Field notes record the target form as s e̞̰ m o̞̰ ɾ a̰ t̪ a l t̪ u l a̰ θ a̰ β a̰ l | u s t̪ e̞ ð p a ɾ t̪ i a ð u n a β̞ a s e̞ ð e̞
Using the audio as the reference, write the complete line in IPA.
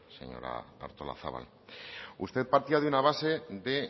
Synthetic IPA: s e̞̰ ɲ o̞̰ ɾ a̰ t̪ a ɾ t̪ o l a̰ θ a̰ β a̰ l | u s t̪ e̞ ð p a ɾ t̪ i a ð u n a β̞ a s e̞ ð e̞